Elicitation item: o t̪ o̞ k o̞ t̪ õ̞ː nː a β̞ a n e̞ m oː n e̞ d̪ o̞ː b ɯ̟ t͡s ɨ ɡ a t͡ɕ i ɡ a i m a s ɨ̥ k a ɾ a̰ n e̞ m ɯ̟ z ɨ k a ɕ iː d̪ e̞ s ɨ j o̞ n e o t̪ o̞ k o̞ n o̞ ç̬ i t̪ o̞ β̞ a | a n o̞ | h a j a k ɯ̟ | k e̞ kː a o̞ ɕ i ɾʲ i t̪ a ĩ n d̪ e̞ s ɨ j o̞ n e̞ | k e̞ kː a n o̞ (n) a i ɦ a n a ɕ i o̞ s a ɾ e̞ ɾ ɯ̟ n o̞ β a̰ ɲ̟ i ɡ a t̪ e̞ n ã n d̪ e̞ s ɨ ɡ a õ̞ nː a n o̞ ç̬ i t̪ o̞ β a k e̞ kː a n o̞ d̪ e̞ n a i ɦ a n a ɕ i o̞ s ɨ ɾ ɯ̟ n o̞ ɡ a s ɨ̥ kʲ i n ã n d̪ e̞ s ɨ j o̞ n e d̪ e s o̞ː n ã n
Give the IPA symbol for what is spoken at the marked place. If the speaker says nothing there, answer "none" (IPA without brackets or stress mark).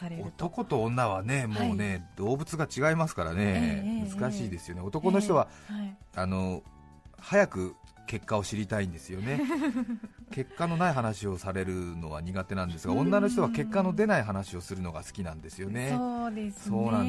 n